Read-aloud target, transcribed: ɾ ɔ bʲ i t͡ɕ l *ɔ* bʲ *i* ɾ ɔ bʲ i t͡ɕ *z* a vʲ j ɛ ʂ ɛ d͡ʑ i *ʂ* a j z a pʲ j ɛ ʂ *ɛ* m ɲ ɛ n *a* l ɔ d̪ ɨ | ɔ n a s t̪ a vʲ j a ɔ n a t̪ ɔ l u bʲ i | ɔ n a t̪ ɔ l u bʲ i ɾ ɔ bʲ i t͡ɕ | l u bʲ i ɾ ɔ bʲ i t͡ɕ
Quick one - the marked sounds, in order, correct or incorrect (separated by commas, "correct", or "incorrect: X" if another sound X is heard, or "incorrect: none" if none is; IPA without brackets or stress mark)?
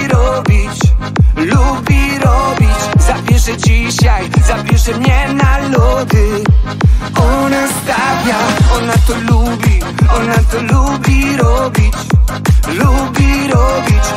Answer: incorrect: u, correct, correct, incorrect: ɕ, correct, correct